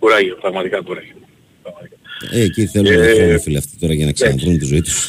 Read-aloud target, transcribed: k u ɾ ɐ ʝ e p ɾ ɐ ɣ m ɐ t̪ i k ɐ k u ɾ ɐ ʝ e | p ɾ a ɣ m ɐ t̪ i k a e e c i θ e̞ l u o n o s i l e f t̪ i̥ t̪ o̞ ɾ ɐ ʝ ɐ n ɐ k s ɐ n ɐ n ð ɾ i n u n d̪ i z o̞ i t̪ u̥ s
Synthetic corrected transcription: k u ɾ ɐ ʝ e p ɾ ɐ ɣ m ɐ t̪ i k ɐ k u ɾ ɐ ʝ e | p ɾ ɐ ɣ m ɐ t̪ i k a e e c i θ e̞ l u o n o f i l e f t̪ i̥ t̪ o̞ ɾ ɐ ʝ ɐ n ɐ k s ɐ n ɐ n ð ɾ i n u n t̪ i z o̞ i t̪ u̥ s